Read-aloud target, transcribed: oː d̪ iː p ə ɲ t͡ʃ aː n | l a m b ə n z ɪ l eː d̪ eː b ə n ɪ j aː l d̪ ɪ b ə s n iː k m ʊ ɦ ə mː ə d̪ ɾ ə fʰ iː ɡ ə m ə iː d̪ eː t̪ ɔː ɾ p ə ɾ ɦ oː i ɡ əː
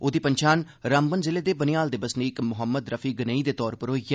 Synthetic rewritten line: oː d̪ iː p ə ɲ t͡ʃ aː n | ɾ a m b ə n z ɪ l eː d̪ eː b ə n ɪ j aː l d̪ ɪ b ə s n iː k m ʊ ɦ ə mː ə d̪ ɾ ə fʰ iː ɡ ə n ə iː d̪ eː t̪ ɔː ɾ p ə ɾ ɦ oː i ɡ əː